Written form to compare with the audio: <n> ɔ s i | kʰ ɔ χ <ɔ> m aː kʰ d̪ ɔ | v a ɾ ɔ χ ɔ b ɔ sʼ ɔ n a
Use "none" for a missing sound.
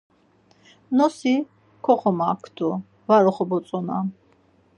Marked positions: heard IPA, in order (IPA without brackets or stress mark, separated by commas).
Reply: n, ɔ